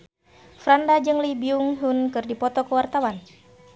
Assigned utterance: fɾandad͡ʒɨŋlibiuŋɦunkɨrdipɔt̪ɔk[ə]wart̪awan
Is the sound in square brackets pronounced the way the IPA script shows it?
yes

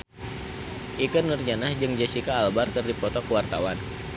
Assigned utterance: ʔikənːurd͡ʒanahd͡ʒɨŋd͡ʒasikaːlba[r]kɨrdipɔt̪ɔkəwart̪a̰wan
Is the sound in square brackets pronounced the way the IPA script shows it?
yes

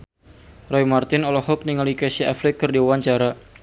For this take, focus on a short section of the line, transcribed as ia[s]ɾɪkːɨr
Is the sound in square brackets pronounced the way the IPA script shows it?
no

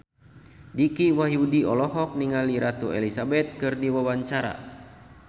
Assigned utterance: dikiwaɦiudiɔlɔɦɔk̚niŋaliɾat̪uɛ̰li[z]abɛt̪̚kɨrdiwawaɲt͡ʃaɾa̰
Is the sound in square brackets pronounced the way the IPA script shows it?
no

